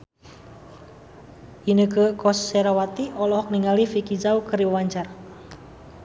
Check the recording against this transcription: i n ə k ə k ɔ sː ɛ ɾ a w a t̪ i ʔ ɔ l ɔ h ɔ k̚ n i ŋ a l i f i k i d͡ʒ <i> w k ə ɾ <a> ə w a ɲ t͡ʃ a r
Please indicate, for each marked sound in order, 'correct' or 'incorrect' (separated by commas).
incorrect, incorrect